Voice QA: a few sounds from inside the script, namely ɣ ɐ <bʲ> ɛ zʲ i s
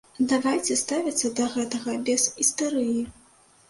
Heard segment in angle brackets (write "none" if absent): bʲ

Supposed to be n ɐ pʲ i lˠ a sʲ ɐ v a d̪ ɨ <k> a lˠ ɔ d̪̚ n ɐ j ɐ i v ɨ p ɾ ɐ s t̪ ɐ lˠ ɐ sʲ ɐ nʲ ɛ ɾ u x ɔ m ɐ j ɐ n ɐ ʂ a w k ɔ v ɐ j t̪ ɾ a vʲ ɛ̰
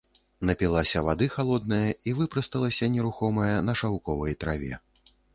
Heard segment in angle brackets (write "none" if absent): x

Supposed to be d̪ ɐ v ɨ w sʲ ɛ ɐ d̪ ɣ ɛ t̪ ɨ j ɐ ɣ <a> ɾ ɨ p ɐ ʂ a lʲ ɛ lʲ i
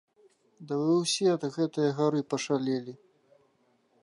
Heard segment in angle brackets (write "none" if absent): a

